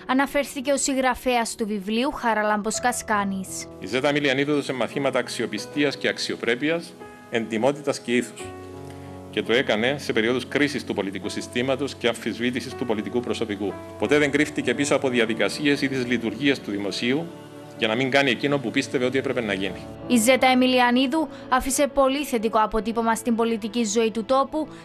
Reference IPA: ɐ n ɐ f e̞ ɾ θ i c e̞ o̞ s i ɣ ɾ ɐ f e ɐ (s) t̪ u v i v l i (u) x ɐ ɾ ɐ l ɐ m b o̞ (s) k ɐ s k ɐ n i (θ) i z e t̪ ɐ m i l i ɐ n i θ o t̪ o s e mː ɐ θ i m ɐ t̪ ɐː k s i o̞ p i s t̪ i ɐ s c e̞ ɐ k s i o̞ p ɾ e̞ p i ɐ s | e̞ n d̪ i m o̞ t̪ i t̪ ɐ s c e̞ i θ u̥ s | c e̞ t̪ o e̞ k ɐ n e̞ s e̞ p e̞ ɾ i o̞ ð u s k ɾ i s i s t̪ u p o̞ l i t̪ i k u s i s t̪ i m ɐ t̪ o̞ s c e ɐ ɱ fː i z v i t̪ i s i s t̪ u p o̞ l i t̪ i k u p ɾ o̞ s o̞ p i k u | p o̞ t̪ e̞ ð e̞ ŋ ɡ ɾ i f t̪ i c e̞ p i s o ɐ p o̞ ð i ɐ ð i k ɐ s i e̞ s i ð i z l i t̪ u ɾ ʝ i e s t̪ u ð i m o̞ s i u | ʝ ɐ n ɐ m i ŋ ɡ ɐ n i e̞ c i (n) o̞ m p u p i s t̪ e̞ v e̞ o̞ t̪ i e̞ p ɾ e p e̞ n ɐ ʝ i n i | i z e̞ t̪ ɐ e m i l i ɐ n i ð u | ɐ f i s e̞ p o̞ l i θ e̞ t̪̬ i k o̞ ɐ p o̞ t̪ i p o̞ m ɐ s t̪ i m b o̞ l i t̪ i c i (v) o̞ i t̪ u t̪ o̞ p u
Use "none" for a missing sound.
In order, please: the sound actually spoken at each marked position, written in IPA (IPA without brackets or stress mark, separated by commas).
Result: s, u, s, s, n, z